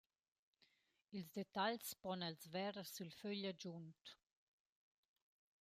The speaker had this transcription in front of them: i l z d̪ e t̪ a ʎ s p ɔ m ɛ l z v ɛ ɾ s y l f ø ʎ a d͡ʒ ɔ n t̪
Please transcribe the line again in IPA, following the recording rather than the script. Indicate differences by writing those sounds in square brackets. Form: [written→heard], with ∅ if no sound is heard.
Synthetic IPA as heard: i l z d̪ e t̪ a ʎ s p ɔ [m→n] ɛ l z v ɛ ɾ s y l f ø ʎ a d͡ʒ [ɔ→u] n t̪